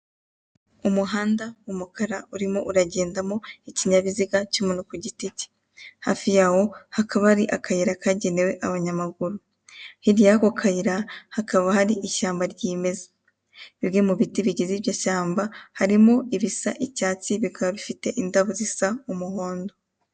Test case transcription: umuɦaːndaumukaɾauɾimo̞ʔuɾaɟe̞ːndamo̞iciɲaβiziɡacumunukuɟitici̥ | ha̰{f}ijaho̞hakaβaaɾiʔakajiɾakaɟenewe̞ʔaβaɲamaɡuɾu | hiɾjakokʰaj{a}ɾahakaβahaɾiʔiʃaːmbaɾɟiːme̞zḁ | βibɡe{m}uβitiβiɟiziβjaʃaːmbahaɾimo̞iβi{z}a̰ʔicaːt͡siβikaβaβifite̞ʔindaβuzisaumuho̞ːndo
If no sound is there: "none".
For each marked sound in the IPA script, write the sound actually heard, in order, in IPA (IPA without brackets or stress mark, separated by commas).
f, i, m, s